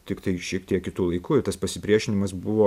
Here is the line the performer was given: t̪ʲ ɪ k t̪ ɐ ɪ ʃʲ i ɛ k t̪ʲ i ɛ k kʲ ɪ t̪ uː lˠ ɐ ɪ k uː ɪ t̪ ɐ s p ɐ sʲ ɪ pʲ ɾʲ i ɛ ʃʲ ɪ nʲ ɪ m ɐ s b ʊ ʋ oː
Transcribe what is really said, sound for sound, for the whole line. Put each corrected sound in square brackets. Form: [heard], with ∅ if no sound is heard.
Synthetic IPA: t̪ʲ ɪ k t̪ ɐ ɪ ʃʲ i ɛ k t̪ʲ i ɛ k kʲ ɪ t̪ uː lˠ ɐ ɪ k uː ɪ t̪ ɐ s p ɐ sʲ ɪ pʲ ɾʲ i ɛ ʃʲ ɪ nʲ ɪ m ɐ s b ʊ ʋ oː